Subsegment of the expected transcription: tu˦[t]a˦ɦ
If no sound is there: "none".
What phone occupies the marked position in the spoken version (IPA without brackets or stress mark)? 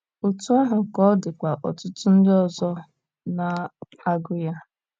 none